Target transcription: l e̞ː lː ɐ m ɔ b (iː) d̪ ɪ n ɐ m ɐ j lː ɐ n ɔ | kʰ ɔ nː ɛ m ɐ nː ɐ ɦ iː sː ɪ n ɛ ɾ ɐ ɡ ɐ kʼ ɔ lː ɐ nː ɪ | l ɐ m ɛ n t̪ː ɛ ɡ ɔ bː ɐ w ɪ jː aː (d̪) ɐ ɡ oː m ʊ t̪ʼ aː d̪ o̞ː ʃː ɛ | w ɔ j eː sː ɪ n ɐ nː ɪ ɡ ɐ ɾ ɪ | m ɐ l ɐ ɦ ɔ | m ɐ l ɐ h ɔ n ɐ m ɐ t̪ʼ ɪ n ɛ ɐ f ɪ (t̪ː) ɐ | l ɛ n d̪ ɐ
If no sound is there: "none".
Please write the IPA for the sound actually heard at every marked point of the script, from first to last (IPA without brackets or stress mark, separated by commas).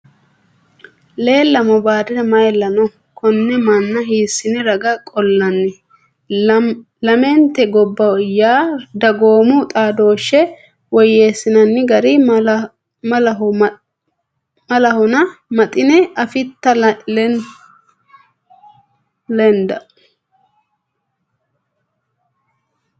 aː, d̪, t̪ː